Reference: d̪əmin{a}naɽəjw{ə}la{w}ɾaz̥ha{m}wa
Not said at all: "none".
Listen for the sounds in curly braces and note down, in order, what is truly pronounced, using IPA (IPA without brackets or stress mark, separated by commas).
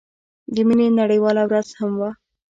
e, ɑ, w, m